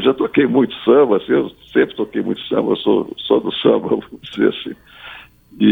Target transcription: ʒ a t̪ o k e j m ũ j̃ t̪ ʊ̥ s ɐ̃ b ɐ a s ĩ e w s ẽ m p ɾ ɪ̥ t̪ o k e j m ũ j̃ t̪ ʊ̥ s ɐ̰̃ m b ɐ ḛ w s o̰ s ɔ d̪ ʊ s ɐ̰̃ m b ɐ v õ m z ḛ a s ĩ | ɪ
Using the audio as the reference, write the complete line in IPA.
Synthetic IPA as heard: ʒ a t̪ o k e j m ũ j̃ t̪ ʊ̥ s ɐ̃ b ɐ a s ĩ e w s ẽ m p ɾ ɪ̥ t̪ o k e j m ũ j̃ t̪ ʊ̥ s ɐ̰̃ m b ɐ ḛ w s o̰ s ɔ d̪ ʊ s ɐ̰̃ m b ɐ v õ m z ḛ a s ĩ | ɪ